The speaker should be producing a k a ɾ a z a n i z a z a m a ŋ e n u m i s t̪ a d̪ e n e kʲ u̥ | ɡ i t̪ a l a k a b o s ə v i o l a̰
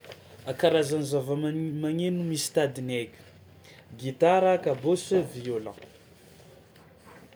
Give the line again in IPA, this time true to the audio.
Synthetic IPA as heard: a k a ɾ a z a n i z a v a m a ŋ e n u m i s t̪ a d̪ i n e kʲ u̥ | ɡ i t̪ a ɾ a k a b o s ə v i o l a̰